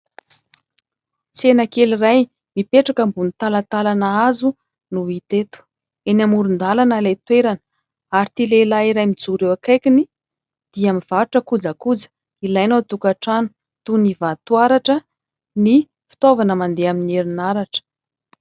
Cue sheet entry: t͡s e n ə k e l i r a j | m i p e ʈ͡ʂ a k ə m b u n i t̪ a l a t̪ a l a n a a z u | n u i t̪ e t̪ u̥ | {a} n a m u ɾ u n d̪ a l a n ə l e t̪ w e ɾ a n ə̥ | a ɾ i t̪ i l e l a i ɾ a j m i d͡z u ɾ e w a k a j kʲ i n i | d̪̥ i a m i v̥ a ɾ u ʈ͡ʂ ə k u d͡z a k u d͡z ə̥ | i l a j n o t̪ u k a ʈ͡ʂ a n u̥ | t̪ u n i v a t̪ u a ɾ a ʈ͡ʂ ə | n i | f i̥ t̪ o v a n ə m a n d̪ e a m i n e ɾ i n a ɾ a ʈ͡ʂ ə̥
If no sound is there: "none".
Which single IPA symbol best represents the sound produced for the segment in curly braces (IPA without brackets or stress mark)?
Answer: e